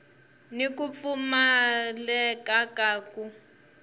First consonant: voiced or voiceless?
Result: voiced